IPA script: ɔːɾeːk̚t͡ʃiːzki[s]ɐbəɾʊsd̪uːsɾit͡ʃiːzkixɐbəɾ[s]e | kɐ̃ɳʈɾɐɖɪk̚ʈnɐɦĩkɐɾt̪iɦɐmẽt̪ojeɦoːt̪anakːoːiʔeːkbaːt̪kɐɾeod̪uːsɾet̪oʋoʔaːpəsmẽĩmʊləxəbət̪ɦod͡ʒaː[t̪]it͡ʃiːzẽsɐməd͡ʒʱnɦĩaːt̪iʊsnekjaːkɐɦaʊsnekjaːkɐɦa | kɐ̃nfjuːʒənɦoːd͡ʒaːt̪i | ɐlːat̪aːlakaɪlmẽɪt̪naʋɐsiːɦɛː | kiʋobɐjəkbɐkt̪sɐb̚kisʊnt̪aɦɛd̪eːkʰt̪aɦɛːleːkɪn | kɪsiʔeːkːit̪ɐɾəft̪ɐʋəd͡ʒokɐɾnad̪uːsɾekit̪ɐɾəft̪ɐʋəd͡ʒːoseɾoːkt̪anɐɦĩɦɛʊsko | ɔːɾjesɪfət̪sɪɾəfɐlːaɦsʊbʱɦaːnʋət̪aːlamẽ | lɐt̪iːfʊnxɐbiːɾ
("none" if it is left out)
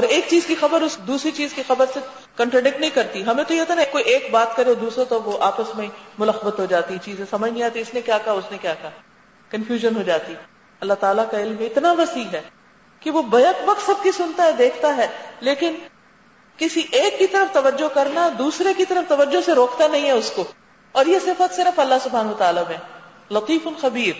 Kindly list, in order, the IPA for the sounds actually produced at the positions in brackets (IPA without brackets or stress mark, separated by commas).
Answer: x, s, t̪